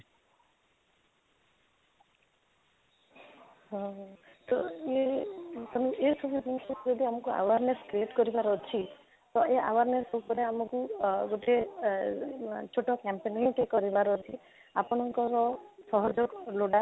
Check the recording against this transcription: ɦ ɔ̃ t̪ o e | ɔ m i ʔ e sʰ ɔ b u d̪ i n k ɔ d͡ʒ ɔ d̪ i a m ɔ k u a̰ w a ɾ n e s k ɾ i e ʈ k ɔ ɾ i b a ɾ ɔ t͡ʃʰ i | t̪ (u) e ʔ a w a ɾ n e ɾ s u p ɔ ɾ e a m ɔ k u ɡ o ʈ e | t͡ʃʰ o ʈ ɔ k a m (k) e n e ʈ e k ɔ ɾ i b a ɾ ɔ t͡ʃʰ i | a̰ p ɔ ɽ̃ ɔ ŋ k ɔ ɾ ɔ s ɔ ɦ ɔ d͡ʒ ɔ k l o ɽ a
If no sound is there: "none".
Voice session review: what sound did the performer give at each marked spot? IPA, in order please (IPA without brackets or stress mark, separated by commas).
ɔ, p